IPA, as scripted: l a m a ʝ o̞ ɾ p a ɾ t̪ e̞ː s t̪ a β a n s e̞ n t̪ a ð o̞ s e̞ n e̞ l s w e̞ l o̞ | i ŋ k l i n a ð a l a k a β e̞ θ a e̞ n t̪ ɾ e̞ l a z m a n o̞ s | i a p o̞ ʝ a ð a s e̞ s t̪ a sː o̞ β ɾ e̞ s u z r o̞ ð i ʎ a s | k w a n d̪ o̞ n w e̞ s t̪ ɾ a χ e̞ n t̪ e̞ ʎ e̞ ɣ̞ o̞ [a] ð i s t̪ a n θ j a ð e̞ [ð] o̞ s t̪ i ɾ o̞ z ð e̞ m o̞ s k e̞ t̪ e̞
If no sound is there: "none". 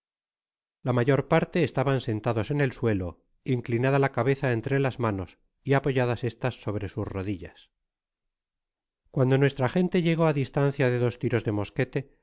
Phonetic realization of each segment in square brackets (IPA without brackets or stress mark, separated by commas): a, ð